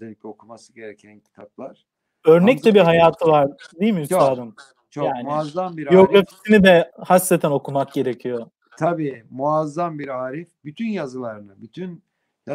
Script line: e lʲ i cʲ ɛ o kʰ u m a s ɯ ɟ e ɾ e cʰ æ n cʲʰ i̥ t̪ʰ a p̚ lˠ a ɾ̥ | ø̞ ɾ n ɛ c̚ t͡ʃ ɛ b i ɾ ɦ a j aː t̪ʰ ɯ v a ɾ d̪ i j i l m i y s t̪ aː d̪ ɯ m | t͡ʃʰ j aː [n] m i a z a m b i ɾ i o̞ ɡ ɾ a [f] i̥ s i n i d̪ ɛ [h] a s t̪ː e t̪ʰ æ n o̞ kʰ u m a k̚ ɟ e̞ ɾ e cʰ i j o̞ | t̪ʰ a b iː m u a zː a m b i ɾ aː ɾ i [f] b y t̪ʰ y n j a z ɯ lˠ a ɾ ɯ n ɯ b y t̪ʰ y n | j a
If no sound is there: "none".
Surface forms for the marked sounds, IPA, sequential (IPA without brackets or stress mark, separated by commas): n, f, h, f